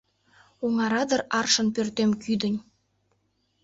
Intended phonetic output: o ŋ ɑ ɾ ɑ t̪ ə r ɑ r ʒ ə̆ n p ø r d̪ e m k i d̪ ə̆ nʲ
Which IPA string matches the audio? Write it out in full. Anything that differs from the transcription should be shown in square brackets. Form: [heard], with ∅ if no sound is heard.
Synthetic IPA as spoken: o ŋ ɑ ɾ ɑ [d̪] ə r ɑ r [ʃ] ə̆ n p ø r [t̪] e m k [y] d̪ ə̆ nʲ